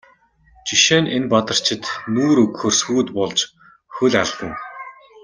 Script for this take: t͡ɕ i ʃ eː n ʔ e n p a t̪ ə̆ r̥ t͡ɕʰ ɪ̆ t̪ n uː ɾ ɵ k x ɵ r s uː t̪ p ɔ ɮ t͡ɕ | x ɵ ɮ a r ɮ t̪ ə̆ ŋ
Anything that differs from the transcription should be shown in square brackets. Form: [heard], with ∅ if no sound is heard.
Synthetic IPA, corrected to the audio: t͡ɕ i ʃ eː n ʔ e n p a t̪ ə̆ r̥ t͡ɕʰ ɪ̆ t̪ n uː ɾ ɵ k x ɵ r s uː t̪ p ɔ ɮ t͡ɕ | x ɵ ɮ a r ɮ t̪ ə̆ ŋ

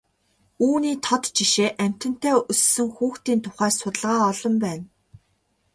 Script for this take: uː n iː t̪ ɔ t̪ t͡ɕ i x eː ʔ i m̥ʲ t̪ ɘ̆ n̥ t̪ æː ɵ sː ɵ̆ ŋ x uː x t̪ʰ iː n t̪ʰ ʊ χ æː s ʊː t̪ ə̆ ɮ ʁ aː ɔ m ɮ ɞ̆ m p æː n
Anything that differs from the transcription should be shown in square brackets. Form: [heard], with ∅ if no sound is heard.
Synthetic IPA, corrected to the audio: uː n iː [t̪ʰ] ɔ t̪ t͡ɕ i [ʃ] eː ʔ [æ] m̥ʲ t̪ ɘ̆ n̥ t̪ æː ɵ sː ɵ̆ ŋ x uː x [t̪] iː n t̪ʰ ʊ χ æː s [ʊ] t̪ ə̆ ɮ ʁ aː ɔ [∅] ɮ ɞ̆ m p æː n

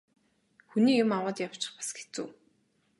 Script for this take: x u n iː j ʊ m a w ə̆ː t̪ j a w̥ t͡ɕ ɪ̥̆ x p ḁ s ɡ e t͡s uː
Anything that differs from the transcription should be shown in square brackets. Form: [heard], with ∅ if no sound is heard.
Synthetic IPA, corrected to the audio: x u n iː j ʊ m a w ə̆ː t̪ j a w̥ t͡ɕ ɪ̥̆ [χ] p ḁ s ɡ e t͡s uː

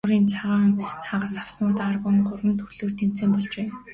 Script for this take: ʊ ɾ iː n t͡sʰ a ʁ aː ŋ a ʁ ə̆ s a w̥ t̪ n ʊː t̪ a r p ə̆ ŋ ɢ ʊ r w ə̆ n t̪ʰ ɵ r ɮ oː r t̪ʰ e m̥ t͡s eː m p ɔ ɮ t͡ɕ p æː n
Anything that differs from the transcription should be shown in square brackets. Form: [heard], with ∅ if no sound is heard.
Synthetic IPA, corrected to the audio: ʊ ɾ iː n t͡sʰ a ʁ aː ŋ a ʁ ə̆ s a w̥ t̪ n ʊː t̪ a r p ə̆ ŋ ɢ ʊ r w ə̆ n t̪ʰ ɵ r ɮ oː r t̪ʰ e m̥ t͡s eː m p ɔ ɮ t͡ɕ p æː n

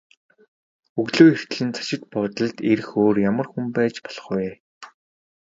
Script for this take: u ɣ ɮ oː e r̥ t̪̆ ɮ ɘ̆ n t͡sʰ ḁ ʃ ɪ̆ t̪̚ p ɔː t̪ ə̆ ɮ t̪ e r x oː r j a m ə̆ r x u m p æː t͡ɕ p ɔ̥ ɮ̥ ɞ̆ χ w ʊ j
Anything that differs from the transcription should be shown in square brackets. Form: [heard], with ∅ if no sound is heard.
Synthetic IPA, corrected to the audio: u ɣ ɮ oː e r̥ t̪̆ ɮ ɘ̆ n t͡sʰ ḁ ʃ ɪ̆ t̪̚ p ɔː t̪ ə̆ ɮ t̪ e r x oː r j a m ə̆ r x u m p æː t͡ɕ p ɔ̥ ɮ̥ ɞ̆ χ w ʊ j

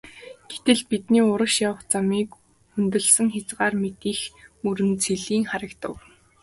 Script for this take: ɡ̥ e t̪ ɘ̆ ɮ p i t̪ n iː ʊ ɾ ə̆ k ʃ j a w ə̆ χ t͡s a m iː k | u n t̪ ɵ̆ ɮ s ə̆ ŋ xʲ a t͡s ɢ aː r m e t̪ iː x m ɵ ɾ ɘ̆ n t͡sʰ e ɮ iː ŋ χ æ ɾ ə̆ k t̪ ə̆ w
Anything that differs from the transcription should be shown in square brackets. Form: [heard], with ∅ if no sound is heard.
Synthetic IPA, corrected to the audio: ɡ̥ e t̪ ɘ̆ ɮ p i t̪ n iː ʊ ɾ ə̆ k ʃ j a w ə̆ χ t͡s a m iː k | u n t̪ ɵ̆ ɮ s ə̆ ŋ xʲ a t͡s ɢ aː r m e t̪ iː x m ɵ ɾ ɘ̆ n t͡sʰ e ɮ iː ŋ χ [a] ɾ ə̆ k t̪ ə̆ w

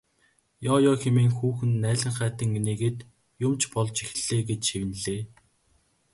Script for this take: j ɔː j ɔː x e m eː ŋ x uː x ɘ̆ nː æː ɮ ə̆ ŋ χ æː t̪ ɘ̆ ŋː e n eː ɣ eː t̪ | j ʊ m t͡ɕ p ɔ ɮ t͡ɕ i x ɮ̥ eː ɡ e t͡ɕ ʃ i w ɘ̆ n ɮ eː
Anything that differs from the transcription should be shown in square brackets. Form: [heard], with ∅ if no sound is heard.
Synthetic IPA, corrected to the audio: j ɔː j ɔː x e m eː ŋ x uː x ɘ̆ nː æː ɮ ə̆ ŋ χ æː t̪ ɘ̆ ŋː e n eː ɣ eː t̪ | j ʊ m t͡ɕ p ɔ ɮ t͡ɕ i x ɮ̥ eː ɡ e t͡ɕ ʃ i w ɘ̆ n ɮ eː

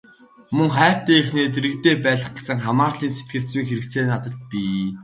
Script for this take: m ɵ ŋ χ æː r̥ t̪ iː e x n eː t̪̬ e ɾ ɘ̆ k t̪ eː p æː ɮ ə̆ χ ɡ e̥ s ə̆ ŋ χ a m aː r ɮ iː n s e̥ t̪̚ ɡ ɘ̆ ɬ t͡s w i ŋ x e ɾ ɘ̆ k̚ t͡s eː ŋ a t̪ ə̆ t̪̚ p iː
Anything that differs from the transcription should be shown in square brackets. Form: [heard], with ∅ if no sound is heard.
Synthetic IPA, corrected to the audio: m ɵ ŋ χ æː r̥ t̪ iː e x n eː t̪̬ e ɾ ɘ̆ k t̪ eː p æː ɮ ə̆ χ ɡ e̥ s ə̆ ŋ χ a m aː r ɮ iː n s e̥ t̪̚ ɡ ɘ̆ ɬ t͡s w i ŋ x e ɾ ɘ̆ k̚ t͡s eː [n] a t̪ ə̆ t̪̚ p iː

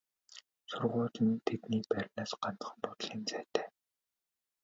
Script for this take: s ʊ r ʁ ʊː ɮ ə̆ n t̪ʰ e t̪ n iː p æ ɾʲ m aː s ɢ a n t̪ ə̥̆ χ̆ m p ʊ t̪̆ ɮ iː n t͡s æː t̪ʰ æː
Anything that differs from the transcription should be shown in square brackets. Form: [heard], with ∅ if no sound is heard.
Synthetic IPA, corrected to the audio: s ʊ r ʁ ʊː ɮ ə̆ n t̪ʰ e t̪ n iː p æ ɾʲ [n] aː s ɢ a n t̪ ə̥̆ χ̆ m p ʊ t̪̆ ɮ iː n t͡s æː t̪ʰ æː

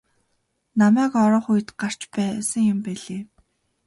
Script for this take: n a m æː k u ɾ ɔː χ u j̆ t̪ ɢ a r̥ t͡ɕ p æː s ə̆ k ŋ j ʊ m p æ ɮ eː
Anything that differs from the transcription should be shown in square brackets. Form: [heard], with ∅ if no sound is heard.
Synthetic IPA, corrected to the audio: n a m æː k [ɔ] ɾ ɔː χ u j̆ t̪ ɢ a r̥ t͡ɕ p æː s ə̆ [∅] ŋ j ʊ m p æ ɮ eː

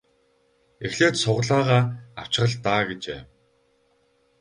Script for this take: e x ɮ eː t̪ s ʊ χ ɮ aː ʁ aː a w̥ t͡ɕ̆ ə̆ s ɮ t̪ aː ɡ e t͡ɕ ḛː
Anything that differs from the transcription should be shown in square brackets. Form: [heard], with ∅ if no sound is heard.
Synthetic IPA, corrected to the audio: e x ɮ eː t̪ s ʊ [ʁ] ɮ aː ʁ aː a w̥ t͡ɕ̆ ə̆ [∅] ɮ t̪ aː ɡ e t͡ɕ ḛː

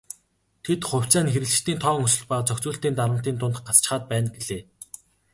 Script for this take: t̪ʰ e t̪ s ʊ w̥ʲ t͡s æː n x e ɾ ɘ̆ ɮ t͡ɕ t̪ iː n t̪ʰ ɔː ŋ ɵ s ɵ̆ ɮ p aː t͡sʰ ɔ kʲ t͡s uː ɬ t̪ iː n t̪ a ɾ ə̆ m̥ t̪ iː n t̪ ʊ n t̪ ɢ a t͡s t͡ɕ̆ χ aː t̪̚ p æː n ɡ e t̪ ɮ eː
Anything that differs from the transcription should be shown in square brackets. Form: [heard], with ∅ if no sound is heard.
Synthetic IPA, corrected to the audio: t̪ʰ e t̪ [χ] ʊ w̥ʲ t͡s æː n x e ɾ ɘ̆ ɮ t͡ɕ t̪ iː n t̪ʰ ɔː ŋ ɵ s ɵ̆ ɮ p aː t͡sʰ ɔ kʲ t͡s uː ɬ t̪ iː n t̪ a ɾ ə̆ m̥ t̪ iː n t̪ ʊ n t̪ ɢ a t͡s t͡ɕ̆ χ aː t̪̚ p æː n ɡ e [∅] ɮ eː

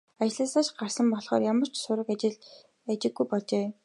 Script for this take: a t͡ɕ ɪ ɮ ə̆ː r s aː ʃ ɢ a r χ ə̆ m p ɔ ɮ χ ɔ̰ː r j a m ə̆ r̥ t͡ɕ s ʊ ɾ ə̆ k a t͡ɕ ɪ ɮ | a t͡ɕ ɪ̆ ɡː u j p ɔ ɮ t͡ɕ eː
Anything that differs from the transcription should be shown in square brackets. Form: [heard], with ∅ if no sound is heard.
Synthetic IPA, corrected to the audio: a t͡ɕ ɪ ɮ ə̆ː [∅] s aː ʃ ɢ a r [s] ə̆ m p ɔ ɮ χ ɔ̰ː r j a m ə̆ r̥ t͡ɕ s ʊ ɾ ə̆ k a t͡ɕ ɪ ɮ | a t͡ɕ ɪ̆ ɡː u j p ɔ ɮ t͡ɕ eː

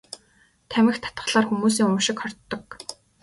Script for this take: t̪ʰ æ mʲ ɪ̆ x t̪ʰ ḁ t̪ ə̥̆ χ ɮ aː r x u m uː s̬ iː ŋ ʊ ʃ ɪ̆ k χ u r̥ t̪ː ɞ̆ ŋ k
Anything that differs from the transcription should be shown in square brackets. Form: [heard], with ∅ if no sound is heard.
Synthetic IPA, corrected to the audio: t̪ʰ æ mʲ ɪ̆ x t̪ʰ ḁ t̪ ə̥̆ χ ɮ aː r x u m uː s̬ iː ŋ ʊ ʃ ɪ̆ k χ [ɔ] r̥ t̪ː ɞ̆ [∅] k

